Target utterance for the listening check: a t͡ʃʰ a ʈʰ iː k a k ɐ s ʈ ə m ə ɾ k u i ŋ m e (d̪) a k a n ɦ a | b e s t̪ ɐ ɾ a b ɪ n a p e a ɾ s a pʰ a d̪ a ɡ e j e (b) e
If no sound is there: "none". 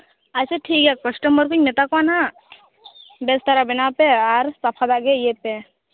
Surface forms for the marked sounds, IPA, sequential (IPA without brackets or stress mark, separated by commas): t̪, p